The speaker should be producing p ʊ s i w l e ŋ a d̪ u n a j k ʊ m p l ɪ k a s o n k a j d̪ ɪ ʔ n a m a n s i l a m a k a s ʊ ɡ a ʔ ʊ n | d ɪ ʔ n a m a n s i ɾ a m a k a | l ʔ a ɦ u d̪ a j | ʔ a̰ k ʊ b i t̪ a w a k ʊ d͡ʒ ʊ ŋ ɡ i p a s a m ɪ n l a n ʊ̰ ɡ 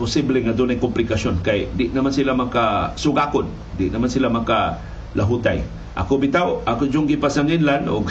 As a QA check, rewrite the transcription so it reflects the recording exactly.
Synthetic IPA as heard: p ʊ s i b l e ŋ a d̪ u n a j k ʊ m p l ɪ k a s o n k a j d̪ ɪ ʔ n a m a n s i l a m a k a s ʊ ɡ a k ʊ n | d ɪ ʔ n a m a n s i l a m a k a | l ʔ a ɦ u t̪ a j | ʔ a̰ k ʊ b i t̪ a w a k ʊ d͡ʒ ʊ ŋ ɡ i p a s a ŋ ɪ n l a n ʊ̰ ɡ